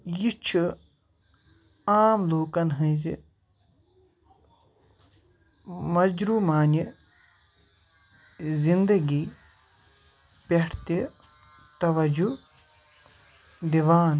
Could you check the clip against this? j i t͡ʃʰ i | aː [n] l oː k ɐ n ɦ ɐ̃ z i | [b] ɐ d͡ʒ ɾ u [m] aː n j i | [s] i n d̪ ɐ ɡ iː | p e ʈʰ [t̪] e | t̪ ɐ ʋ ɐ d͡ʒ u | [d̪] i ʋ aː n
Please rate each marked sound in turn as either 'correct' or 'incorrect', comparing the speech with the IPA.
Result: incorrect, incorrect, correct, incorrect, correct, correct

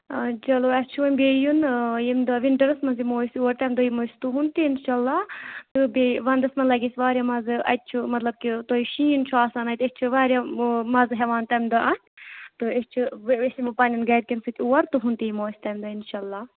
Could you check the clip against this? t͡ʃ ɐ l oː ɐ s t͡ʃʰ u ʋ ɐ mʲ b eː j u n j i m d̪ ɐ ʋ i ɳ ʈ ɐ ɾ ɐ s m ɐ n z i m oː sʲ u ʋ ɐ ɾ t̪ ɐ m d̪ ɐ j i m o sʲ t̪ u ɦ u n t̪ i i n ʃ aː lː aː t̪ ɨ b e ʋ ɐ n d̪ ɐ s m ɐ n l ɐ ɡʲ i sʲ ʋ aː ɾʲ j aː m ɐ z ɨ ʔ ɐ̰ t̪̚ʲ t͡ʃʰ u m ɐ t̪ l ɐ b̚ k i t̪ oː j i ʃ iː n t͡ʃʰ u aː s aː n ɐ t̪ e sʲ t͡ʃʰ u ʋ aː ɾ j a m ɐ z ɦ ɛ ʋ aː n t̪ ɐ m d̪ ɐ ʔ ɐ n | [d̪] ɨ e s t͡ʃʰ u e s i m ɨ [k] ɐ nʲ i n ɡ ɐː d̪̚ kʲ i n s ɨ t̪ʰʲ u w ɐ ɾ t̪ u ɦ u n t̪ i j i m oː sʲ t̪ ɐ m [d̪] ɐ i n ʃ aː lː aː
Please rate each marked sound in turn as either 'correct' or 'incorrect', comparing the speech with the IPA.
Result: incorrect, incorrect, correct

